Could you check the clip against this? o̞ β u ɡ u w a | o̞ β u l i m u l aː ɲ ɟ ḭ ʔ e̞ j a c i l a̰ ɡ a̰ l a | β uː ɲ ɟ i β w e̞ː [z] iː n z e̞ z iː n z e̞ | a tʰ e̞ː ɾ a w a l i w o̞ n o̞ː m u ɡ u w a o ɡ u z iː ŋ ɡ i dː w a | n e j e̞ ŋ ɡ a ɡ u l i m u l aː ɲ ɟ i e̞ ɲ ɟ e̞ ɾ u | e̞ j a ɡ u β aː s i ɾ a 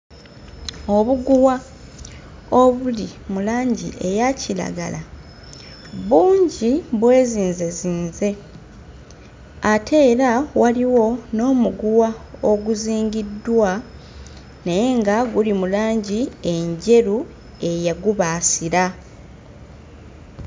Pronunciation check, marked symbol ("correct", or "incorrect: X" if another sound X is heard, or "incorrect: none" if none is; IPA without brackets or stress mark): correct